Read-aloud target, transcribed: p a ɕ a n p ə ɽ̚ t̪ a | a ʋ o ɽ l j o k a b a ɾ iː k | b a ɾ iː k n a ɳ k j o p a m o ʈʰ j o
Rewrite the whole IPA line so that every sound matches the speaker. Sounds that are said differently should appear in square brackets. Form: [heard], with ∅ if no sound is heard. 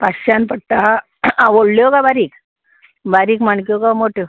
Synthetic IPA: p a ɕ a n p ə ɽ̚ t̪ a | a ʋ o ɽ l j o k a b a ɾ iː k | b a ɾ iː k [m] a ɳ k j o [k] a m o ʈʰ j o